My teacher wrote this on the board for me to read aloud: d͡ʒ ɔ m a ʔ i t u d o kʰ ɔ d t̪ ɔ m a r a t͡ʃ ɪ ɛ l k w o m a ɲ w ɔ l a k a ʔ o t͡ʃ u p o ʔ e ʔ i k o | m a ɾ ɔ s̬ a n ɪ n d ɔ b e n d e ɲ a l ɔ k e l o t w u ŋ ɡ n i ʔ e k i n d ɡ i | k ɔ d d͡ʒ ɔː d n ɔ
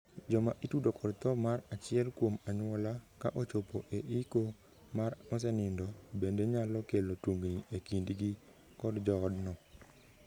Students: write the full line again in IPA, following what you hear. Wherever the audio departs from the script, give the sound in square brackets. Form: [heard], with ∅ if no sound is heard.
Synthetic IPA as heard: d͡ʒ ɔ m a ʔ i t u d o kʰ ɔ d t̪ ɔ m a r a t͡ʃ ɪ ɛ l k w o m a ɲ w ɔ l a k a ʔ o t͡ʃ [o] p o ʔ e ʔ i k o | m a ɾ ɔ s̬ [ɛ] n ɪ n d ɔ b e n d e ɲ a l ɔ k e l o t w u ŋ ɡ n i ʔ e k i n d ɡ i | k ɔ d d͡ʒ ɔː d n ɔ